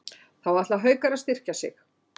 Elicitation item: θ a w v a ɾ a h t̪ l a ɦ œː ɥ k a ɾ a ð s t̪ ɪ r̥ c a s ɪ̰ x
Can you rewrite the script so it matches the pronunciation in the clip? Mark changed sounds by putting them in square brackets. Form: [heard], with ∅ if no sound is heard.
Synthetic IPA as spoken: θ a w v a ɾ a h t̪ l a ɦ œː ɥ k a ɾ a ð s t̪ ɪ r̥ c a s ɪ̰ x